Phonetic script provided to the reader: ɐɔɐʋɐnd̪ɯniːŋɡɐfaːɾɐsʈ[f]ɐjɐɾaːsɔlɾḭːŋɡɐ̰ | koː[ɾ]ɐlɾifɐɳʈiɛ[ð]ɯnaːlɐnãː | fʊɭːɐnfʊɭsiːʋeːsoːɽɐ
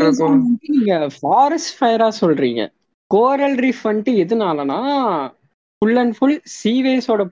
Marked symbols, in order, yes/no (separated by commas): yes, yes, yes